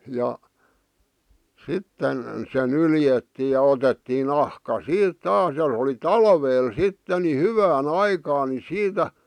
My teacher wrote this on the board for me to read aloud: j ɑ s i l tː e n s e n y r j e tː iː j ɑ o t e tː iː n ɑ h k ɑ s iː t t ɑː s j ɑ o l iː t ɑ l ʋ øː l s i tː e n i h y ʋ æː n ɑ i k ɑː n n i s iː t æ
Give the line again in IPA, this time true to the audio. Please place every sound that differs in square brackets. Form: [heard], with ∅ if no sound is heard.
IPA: j ɑ s i [∅] tː e n s e n y [l] j e tː iː j ɑ o t e tː iː n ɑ h k ɑ s iː t t ɑː s j ɑ o l [i] t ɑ l ʋ [eː] l s i tː e n i h y ʋ æː n ɑ i k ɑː n n i s iː t æ